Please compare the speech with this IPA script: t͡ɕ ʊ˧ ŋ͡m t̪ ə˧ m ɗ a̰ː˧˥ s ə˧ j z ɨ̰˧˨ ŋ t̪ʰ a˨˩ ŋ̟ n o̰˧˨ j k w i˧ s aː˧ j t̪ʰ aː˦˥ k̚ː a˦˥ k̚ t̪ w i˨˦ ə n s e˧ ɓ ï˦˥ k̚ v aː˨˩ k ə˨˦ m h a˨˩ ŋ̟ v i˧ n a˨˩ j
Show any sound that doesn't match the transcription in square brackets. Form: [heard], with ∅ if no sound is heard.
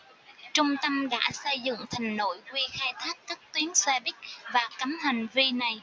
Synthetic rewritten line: t͡ɕ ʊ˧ ŋ͡m t̪ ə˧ m ɗ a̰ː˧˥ s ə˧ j z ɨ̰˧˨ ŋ t̪ʰ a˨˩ ŋ̟ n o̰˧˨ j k w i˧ [x] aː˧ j t̪ʰ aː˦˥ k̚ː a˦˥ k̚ t̪ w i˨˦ ə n s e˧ ɓ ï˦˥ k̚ v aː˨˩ k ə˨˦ m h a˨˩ ŋ̟ v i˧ n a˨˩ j